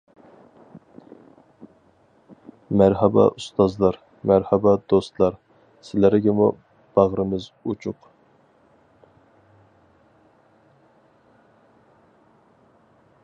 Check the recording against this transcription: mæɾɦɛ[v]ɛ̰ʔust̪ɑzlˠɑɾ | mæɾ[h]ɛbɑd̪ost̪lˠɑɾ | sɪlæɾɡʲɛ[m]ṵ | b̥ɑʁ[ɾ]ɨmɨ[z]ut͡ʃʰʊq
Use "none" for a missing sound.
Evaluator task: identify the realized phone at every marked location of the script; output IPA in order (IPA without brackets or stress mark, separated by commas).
b, h, m, ɾ, z